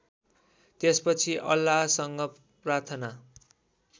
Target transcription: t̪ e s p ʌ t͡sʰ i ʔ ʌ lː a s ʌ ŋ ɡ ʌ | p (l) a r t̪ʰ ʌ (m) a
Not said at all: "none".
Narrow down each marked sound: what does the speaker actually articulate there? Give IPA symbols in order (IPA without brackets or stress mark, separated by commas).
r, n